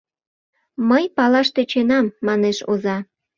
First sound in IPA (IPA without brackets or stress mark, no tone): m